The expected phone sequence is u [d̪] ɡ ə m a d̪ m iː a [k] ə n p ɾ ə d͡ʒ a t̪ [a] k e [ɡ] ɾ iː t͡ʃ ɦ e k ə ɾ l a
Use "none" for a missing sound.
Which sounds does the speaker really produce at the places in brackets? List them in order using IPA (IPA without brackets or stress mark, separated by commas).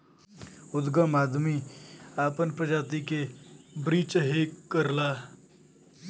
d̪, p, i, b